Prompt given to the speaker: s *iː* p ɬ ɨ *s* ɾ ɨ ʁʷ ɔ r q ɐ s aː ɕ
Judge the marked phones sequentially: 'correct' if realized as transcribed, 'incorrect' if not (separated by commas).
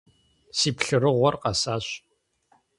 correct, incorrect